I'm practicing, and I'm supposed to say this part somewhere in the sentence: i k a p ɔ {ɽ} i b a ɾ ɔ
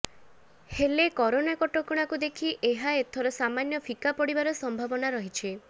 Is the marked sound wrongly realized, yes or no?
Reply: no